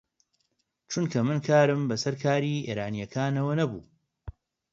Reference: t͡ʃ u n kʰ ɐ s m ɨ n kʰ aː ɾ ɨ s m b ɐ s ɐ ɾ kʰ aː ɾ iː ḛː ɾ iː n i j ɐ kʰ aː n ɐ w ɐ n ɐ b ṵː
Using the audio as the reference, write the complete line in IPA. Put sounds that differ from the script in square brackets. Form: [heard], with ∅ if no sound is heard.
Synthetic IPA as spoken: t͡ʃ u n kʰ ɐ [∅] m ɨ n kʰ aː ɾ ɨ [∅] m b ɐ s ɐ ɾ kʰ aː ɾ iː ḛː ɾ [aː] n i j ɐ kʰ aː n ɐ w ɐ n ɐ b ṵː